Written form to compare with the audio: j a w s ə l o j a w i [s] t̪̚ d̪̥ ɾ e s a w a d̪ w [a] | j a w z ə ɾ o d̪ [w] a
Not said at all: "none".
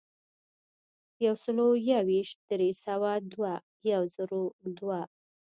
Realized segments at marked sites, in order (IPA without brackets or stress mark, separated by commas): ʃ, a, w